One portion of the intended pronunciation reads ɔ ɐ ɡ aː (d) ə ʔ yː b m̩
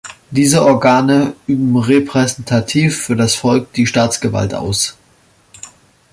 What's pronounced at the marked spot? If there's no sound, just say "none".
n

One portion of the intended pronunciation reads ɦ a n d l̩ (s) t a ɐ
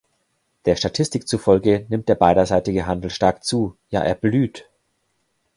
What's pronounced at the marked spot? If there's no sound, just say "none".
ʃ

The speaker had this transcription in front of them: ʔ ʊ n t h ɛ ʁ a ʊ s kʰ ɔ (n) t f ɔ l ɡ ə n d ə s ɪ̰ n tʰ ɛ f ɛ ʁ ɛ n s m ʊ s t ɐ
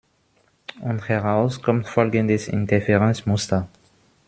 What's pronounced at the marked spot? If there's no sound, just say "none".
m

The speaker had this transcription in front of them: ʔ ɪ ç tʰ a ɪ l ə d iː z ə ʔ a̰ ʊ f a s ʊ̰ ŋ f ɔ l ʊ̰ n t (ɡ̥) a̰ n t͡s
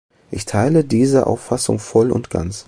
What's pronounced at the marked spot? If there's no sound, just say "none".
ɡ̥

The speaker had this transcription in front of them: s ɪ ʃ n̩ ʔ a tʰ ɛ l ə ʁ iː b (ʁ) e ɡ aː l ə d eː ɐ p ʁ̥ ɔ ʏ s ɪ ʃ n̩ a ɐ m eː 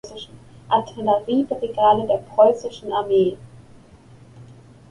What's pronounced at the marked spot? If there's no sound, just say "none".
ʁ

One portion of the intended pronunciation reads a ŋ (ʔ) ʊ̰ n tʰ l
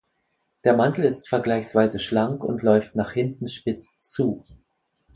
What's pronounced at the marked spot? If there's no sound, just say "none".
k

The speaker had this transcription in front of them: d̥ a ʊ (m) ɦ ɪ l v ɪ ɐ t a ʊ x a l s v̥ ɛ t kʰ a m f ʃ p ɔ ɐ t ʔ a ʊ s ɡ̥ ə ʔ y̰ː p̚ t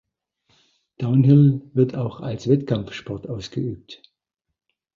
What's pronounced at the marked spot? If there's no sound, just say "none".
n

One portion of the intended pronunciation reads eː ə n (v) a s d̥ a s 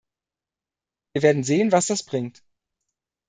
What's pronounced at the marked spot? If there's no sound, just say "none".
v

